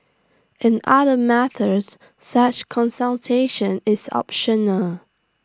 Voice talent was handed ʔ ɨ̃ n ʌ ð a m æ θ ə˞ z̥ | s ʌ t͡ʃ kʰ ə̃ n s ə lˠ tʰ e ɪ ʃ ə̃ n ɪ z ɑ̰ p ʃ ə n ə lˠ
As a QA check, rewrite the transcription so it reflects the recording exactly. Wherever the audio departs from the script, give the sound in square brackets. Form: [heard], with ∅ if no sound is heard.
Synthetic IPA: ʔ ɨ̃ n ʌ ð [ə] m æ θ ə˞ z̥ | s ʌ t͡ʃ kʰ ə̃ n s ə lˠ tʰ e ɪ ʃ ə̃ n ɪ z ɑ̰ p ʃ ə n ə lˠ

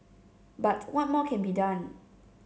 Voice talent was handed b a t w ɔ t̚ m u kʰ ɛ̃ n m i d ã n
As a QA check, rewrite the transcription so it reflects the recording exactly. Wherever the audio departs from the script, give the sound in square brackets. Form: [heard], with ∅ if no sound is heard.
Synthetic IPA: b a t w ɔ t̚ m [ɔ] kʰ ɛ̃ n [b] i d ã n

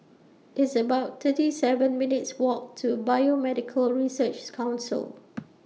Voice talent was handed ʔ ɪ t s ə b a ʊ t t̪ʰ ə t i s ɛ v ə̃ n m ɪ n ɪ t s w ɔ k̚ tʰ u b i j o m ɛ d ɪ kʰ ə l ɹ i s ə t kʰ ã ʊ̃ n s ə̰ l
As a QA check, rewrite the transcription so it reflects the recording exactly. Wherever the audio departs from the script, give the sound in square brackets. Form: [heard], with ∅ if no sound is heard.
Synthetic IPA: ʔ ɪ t s ə b a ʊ t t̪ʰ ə t i s ɛ v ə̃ n m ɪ n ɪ t s w ɔ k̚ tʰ u b [a] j o m ɛ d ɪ kʰ ə l ɹ i s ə [t͡ʃ] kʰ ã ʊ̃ n s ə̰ l

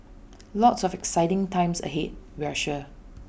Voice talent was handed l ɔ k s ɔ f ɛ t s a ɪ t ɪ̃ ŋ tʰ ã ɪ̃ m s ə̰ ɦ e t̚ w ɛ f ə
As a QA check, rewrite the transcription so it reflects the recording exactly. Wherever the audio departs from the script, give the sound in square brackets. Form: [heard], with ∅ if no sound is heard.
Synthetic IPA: l ɔ [t] s ɔ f ɛ [k] s a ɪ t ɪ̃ ŋ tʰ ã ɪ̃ m s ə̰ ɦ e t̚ w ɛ [ʃ] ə

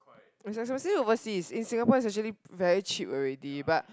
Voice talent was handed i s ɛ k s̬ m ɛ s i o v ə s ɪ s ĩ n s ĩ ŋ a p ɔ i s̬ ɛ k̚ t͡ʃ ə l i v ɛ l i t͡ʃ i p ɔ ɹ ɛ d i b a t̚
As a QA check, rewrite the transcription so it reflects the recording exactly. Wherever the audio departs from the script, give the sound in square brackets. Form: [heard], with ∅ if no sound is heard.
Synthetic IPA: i s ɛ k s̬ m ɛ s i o v ə s [i] s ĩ n s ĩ ŋ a p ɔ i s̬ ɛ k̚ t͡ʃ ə l i v ɛ [ɹ] i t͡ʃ i p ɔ ɹ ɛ d i b a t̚

